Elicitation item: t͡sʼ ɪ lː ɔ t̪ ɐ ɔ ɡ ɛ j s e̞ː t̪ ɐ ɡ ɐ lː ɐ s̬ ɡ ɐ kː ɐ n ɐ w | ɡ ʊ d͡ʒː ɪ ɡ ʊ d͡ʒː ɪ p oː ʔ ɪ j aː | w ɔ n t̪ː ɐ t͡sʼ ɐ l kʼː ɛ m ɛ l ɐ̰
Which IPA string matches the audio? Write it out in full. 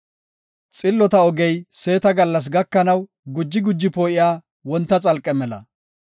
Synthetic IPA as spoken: t͡sʼ ɪ lː ɔ t̪ ɐ ɔ ɡ ɛ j s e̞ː t̪ ɐ ɡ ɐ lː ɐ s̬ ɡ ɐ kː ɐ n ɐ w | ɡ ʊ d͡ʒː ɪ ɡ ʊ d͡ʒː ɪ p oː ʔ ɪ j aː | w ɔ n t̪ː ɐ t͡sʼ ɐ l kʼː ɛ m ɛ l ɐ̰